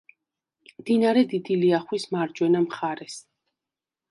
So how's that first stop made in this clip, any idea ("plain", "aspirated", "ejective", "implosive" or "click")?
plain